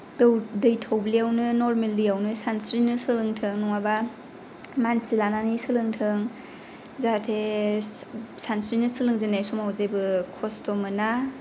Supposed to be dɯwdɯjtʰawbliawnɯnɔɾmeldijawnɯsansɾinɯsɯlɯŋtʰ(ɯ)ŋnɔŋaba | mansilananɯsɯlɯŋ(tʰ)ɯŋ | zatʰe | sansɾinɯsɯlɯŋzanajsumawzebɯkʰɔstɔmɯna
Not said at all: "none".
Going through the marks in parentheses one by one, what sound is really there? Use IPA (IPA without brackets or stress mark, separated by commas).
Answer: ɯ, tʰ